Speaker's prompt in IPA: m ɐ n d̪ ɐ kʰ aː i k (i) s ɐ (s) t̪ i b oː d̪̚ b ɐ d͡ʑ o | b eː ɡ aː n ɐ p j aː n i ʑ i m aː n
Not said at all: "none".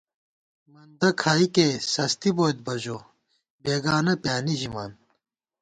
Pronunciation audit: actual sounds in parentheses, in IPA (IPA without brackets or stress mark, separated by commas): e, s